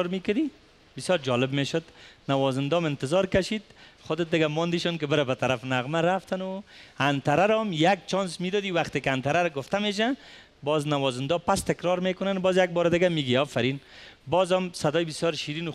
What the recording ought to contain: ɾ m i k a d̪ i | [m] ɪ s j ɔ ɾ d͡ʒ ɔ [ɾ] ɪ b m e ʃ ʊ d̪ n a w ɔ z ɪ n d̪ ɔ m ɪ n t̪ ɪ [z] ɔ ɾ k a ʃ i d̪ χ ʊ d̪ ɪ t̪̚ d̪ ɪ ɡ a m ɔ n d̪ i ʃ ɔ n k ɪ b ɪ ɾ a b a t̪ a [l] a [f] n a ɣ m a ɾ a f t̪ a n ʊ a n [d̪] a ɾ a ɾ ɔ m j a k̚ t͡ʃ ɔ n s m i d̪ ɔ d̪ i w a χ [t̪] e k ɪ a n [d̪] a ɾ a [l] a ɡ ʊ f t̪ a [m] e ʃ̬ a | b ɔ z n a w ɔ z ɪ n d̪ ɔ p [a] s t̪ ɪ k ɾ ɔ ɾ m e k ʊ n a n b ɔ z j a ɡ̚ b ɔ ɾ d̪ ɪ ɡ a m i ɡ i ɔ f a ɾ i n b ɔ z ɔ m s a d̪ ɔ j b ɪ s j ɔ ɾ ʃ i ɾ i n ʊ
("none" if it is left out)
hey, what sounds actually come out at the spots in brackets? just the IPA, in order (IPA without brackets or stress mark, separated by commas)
b, l, z, ɾ, f, t̪, t̪, t̪, ɾ, m, a